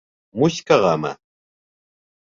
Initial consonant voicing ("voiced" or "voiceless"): voiced